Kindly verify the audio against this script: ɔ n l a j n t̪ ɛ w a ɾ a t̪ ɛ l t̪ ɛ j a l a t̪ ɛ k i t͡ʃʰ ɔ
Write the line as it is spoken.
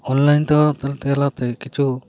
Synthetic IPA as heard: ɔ n l a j n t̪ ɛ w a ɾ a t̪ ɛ l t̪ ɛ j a l a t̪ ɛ k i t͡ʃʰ u